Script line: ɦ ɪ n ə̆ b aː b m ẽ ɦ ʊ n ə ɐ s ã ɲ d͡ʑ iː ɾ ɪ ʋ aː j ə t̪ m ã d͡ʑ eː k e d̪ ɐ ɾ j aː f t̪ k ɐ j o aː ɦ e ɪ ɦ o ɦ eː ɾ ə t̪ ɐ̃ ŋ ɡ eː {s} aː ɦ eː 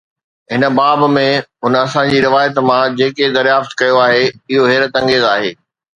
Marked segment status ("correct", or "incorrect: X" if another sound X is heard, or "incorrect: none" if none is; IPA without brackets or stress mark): incorrect: z